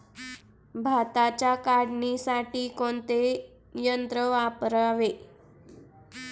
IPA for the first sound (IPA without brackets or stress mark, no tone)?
bʱ